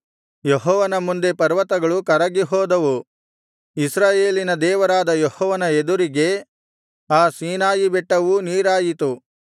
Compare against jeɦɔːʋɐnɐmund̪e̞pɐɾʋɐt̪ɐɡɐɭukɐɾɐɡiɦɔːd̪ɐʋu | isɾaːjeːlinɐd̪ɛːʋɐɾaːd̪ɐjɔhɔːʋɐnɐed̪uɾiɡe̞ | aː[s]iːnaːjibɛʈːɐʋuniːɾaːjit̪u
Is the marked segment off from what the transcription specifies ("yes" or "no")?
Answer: no